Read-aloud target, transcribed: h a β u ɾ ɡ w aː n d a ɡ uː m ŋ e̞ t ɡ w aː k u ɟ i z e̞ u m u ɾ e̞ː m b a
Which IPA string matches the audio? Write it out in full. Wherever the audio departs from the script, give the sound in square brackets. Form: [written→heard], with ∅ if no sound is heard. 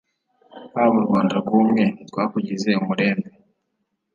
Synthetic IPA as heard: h a β u ɾ ɡ w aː n d a ɡ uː m ŋ e̞ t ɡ w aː k u ɟ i z e̞ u m u ɾ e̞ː m b [a→e]